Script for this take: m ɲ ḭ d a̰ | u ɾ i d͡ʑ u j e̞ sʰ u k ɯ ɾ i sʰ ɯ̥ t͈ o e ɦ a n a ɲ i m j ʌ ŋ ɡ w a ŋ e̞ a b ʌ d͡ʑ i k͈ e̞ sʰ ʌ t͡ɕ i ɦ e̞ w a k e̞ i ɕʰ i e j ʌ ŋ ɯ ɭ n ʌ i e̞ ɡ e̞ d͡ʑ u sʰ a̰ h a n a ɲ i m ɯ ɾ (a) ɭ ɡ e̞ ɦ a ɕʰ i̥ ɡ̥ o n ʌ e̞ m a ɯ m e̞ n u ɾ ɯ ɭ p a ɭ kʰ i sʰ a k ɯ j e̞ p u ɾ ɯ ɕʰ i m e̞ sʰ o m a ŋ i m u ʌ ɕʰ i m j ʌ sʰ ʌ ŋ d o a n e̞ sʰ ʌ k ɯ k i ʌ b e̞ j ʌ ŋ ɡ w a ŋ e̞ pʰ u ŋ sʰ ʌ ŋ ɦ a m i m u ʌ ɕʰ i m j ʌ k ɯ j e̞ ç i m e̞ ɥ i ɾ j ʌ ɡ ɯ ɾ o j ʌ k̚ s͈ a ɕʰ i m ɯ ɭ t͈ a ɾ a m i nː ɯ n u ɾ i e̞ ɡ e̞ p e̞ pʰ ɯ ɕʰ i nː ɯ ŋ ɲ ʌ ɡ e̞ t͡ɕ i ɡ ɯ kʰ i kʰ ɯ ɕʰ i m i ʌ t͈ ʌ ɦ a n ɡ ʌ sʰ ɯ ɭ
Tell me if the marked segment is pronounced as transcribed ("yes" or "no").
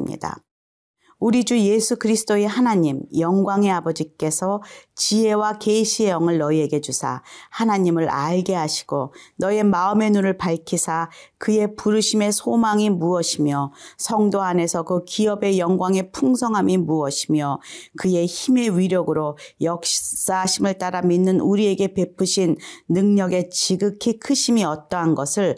yes